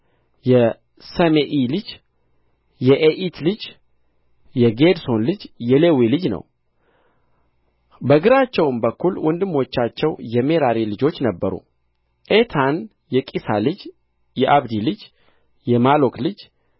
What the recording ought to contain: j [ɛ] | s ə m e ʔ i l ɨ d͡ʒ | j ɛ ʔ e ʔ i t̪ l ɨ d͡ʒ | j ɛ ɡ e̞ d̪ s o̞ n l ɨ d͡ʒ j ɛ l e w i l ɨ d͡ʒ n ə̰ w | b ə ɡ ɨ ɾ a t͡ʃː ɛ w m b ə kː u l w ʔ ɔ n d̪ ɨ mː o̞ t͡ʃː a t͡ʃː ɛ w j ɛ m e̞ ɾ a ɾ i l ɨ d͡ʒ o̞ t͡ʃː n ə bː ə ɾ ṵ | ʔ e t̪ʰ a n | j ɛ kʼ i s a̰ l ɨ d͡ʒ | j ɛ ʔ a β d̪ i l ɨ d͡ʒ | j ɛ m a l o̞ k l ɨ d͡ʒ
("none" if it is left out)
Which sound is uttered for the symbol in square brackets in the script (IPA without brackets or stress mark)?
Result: ɛ